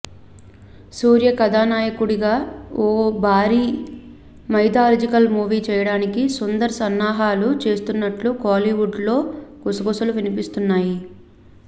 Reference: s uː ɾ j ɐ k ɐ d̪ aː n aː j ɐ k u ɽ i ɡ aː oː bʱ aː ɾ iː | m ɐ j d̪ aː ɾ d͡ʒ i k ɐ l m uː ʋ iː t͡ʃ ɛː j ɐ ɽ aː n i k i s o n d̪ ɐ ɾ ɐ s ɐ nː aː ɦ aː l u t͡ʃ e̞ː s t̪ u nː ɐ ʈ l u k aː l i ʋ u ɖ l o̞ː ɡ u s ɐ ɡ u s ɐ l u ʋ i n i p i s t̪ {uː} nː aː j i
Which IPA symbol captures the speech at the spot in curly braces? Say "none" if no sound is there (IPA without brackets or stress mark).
u